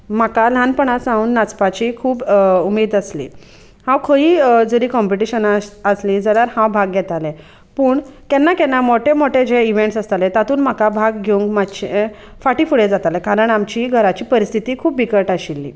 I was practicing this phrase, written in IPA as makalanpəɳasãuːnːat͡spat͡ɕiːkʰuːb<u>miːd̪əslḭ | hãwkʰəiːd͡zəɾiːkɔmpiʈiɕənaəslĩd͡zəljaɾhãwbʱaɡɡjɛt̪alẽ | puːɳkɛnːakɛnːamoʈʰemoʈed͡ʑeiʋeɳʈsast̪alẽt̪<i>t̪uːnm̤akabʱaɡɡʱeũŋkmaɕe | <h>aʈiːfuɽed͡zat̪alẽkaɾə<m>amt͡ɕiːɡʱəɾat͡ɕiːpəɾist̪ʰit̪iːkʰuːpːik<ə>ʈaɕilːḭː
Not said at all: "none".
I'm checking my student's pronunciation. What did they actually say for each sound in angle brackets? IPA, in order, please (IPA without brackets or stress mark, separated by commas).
u, a, f, ɳ, ə